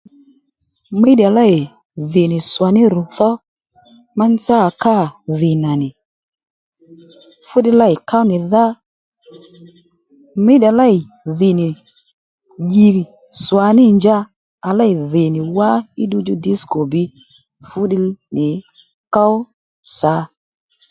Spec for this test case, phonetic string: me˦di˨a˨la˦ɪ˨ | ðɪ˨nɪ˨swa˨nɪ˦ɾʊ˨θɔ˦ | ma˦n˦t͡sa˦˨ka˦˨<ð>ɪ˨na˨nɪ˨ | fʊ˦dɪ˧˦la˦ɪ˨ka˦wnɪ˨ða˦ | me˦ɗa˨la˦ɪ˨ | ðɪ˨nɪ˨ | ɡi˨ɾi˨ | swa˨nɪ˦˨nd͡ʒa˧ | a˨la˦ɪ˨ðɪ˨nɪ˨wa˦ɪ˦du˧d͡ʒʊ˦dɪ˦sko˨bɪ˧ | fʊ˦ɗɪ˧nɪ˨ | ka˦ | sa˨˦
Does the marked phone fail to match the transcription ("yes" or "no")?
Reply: no